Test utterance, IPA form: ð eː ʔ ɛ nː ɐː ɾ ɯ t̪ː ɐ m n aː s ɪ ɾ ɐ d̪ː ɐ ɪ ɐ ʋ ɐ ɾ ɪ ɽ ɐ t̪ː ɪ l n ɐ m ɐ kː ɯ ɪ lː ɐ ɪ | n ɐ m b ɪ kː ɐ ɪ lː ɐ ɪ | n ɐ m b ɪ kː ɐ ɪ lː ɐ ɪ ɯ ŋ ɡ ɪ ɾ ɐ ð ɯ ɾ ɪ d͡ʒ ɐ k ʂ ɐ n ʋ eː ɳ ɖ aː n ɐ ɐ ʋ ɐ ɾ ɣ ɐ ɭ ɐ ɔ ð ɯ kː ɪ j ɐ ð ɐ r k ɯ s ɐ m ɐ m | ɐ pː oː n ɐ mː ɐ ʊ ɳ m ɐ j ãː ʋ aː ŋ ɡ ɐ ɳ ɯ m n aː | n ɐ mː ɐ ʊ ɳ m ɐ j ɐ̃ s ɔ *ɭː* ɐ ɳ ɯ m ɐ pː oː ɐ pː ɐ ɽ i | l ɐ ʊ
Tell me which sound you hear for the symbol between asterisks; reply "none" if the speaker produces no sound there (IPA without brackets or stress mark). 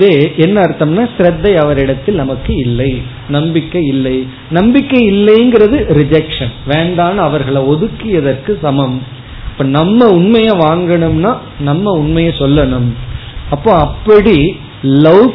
lː